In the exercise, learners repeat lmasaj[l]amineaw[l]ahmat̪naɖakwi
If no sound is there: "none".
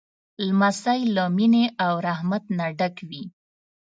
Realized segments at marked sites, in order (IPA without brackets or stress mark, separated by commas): l, ɾ